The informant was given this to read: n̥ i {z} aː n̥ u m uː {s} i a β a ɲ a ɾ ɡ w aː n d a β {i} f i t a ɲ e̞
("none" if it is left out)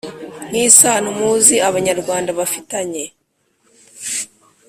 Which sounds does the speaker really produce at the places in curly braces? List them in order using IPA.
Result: s, z, a

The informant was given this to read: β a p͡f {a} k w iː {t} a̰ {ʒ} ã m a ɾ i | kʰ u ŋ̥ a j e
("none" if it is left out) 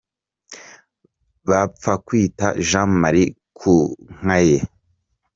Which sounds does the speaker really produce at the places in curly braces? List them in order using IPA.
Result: a, t, ʒ

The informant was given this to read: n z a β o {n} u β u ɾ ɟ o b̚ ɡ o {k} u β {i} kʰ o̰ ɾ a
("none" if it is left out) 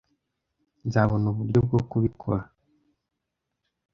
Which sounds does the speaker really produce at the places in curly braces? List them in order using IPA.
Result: n, k, i

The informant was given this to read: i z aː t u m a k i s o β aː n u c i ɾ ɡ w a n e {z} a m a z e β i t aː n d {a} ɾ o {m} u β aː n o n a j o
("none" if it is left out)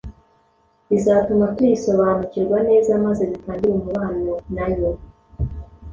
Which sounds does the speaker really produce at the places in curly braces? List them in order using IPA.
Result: z, i, m

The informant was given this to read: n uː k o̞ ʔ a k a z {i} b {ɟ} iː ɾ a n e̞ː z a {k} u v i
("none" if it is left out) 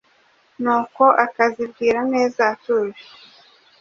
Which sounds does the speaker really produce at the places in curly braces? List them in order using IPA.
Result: i, ɡ, t

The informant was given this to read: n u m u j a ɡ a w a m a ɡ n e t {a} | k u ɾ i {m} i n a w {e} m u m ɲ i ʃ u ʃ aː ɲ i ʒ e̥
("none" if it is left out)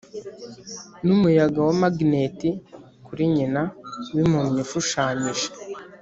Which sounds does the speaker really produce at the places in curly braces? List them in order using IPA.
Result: i, ɲ, i

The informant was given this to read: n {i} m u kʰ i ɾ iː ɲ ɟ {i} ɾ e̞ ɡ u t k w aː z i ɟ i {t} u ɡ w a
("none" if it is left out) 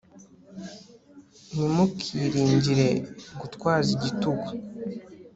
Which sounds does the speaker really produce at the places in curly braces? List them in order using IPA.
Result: i, i, t

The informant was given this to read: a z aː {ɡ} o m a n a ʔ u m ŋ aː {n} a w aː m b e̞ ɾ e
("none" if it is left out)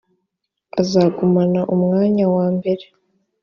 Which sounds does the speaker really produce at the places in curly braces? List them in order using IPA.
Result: ɡ, ɲ

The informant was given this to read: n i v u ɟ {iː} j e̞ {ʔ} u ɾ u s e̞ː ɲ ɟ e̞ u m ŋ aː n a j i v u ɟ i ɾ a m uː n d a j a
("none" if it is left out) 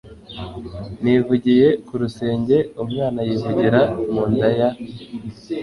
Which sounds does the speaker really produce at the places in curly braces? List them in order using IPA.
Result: i, k

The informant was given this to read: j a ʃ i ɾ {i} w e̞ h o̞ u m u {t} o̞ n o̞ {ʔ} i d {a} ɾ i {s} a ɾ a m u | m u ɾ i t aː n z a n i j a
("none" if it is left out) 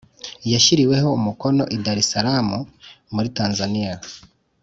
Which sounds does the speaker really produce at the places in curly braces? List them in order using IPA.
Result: i, k, ʔ, a, s

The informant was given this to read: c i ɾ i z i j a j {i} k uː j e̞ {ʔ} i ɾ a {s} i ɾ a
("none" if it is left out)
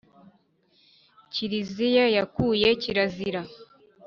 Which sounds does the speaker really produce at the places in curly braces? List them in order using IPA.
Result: a, c, z

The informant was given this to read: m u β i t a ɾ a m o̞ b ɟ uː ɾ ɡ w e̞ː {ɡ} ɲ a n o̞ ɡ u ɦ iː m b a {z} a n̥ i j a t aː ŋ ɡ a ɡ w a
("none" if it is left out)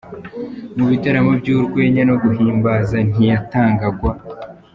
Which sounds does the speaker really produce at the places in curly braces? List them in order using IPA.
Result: none, z

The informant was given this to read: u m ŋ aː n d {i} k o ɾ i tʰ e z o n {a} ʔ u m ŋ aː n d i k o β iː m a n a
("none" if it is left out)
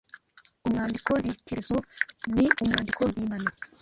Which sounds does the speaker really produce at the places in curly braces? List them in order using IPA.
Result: i, i

